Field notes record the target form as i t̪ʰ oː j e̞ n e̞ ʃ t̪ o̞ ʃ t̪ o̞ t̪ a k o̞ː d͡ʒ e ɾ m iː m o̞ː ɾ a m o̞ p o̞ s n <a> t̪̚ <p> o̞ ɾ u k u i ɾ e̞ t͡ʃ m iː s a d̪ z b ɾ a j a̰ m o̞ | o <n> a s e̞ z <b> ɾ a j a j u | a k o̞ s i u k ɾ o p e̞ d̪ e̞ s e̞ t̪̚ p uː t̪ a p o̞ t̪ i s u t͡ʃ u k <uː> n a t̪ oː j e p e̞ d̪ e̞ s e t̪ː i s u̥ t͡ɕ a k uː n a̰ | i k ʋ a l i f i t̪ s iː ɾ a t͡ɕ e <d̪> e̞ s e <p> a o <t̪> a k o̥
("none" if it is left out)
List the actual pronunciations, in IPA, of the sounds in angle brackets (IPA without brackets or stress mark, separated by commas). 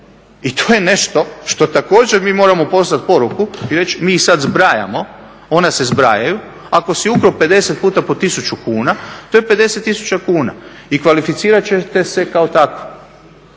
a, p, n, b, uː, t̪, k, t̪